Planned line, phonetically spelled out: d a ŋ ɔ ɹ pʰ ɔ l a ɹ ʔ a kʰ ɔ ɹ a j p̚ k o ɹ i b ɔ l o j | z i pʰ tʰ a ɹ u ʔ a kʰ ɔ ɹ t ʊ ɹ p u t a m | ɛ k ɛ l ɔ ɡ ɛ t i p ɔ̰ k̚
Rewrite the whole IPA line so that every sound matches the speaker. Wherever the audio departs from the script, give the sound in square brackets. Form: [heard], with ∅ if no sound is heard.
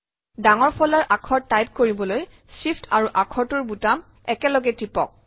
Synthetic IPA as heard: d a ŋ ɔ ɹ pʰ ɔ l a ɹ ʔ a kʰ ɔ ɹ a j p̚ k o ɹ i b ɔ l o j | [s] i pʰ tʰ a ɹ u ʔ a kʰ ɔ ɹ t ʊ ɹ [b] u t a m | ɛ k ɛ l ɔ ɡ ɛ t i p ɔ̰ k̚